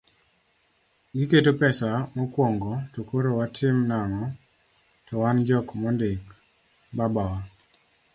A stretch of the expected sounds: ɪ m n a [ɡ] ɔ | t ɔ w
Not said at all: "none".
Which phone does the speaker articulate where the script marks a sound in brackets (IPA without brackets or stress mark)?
ŋ